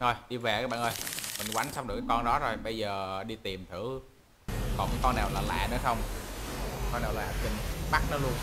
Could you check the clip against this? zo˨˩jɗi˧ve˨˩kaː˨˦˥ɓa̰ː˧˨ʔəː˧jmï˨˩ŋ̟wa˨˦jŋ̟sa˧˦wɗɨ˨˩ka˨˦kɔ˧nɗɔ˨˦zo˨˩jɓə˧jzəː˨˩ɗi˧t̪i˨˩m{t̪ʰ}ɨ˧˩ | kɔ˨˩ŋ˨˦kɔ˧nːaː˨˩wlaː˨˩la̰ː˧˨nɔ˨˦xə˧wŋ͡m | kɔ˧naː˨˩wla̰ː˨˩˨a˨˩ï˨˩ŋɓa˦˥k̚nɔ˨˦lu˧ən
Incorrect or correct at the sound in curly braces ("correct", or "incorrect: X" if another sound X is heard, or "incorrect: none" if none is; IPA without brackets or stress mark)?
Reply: correct